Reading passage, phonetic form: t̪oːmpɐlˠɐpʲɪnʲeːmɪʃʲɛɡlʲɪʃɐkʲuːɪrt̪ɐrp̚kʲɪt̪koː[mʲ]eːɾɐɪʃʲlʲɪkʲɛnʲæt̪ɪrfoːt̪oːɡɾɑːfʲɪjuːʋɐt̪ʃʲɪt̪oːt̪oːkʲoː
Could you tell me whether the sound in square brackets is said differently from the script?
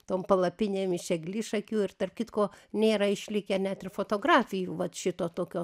yes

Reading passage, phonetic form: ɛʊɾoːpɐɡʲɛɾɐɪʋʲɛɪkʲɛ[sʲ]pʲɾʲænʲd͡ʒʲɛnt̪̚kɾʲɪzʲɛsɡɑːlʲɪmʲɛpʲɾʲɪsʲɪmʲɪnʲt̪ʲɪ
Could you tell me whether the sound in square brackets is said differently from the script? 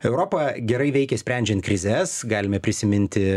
no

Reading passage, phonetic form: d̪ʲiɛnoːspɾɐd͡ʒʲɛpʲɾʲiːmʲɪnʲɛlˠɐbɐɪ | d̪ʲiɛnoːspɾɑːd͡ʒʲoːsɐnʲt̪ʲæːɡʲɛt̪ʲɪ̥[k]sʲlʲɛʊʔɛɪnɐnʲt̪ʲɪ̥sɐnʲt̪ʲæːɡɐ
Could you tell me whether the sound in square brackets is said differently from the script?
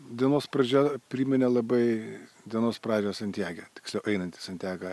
no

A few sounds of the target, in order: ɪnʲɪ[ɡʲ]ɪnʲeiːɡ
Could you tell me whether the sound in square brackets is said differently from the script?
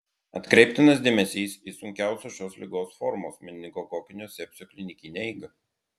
yes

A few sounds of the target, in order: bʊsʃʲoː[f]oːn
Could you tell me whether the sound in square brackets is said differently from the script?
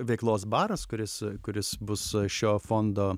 no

